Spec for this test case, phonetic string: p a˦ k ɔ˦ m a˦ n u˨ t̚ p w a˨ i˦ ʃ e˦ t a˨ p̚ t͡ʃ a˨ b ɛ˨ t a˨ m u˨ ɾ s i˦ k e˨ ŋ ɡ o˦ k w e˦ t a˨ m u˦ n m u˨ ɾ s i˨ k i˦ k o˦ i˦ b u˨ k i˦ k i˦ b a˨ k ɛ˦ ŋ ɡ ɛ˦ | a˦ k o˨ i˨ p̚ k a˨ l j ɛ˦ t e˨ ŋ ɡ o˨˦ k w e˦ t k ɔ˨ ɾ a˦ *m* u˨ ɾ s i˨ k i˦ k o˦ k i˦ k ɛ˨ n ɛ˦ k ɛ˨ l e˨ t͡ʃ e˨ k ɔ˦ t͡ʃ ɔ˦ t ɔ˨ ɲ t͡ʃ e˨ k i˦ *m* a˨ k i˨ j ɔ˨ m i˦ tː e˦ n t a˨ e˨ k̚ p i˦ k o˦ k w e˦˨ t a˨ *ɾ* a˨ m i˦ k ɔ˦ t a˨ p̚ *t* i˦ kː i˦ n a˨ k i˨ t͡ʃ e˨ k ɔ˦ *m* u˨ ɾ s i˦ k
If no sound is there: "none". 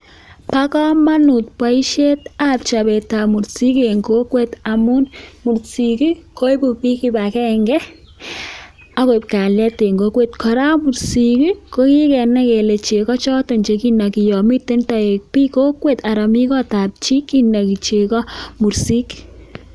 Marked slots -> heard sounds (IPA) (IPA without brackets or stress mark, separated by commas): m, n, ɾ, t͡ʃ, m